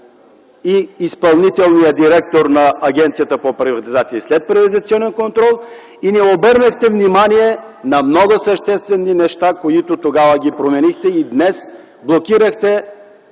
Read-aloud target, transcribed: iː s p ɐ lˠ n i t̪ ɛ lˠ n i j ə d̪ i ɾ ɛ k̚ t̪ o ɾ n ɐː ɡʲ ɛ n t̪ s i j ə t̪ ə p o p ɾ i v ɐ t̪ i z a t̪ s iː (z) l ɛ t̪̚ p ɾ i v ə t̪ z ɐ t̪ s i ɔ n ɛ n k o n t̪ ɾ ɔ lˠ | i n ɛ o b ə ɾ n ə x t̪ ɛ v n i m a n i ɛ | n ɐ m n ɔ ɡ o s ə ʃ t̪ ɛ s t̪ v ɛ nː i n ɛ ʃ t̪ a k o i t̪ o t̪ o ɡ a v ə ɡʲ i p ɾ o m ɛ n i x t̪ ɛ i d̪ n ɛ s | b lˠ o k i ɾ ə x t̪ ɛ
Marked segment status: incorrect: s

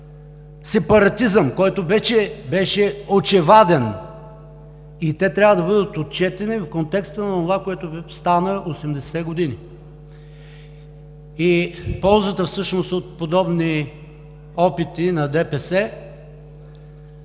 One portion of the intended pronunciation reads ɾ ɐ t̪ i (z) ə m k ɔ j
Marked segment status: correct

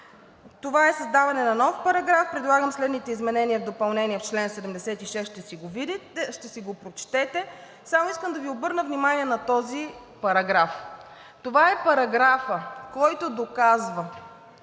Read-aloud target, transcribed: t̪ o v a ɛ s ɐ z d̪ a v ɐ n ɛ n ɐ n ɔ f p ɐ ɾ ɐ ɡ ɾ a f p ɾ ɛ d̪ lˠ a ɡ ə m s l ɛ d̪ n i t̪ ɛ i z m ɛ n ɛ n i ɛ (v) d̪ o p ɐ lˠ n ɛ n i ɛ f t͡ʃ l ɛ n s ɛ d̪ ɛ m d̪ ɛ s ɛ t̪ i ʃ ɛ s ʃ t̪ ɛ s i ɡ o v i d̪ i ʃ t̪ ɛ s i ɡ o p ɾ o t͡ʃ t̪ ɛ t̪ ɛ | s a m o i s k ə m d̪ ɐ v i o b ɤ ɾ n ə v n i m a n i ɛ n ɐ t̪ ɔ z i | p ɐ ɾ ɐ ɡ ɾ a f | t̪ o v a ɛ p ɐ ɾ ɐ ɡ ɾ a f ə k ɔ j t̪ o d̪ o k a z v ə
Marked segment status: correct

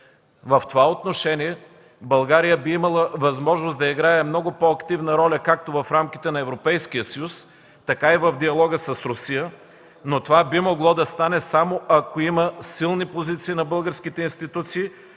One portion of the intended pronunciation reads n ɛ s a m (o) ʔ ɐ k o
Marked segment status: correct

